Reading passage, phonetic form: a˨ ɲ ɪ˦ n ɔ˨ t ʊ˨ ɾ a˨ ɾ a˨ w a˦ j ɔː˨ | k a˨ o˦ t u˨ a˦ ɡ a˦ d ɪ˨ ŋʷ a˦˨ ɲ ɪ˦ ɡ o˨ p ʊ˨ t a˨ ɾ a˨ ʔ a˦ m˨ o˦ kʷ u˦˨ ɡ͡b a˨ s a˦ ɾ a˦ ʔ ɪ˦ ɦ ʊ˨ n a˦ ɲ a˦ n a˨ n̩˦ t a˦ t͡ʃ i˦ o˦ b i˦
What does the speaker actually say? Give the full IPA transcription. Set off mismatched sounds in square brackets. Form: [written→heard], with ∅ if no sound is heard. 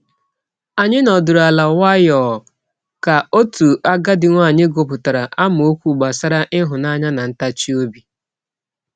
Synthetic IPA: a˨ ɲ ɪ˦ n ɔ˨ [t→d] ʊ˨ ɾ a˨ [ɾ→l] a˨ w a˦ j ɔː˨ | k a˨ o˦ t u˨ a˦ ɡ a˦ d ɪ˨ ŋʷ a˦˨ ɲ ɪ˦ ɡ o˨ p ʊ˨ t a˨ ɾ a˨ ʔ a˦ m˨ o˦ kʷ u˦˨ ɡ͡b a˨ s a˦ ɾ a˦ ʔ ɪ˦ ɦ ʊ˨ n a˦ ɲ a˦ n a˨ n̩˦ t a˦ t͡ʃ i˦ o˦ b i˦